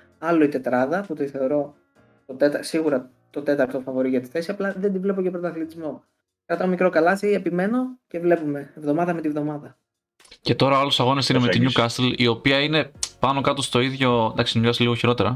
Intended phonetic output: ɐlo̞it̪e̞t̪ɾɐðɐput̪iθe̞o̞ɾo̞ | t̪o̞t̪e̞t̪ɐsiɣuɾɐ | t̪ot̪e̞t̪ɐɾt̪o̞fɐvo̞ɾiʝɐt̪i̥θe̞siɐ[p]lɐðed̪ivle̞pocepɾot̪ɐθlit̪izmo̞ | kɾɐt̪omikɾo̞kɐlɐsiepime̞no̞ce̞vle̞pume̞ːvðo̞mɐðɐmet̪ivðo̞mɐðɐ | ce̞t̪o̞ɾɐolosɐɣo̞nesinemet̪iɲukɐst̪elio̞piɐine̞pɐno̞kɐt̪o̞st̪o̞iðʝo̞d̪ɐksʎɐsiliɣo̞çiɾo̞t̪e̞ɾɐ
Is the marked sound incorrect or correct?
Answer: correct